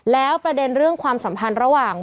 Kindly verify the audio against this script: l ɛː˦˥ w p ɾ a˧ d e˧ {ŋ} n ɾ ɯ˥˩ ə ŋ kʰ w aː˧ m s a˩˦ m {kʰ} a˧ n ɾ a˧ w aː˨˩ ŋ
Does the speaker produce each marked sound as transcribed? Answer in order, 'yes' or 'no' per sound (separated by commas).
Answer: no, no